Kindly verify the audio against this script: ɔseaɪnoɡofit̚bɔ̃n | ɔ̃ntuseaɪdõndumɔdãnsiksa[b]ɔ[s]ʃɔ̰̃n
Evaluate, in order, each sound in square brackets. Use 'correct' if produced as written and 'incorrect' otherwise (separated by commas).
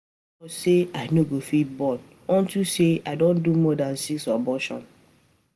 correct, incorrect